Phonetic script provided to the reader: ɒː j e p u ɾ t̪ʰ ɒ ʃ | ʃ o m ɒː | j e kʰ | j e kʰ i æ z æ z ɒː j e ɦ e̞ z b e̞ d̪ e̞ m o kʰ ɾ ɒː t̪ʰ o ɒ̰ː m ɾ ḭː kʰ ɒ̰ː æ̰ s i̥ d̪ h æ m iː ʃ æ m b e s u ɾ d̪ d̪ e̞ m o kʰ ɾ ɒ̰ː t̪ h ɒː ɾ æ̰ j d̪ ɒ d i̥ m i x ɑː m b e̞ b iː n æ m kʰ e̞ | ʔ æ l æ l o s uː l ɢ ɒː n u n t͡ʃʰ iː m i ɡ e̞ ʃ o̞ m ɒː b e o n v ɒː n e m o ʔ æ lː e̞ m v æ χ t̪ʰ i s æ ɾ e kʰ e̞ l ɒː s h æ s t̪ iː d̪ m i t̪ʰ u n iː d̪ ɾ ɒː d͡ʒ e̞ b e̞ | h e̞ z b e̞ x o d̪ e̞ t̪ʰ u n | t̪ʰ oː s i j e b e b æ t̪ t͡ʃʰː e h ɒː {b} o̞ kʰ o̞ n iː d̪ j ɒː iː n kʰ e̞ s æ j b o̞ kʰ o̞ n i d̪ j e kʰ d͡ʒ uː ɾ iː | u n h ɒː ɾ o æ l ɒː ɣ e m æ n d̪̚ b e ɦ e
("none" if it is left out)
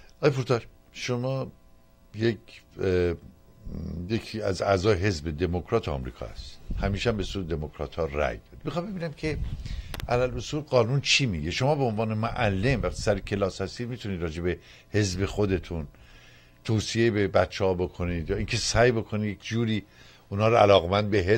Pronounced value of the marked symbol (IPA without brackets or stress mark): b